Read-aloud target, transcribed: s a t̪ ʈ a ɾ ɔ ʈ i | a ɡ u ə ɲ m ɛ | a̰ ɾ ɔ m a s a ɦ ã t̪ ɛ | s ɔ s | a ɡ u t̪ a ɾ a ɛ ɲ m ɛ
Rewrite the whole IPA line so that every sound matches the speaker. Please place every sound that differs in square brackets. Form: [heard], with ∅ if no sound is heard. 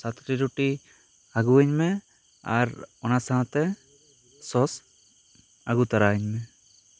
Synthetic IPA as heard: s a t̪ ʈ [i] ɾ [u] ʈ i | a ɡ u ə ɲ m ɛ | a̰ ɾ ɔ [n] a s a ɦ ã t̪ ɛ | s ɔ s | a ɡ u t̪ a ɾ a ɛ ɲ m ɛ